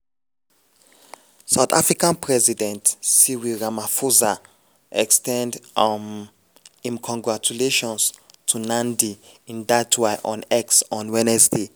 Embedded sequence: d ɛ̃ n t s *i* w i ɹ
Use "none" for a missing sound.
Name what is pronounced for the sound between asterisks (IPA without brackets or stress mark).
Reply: i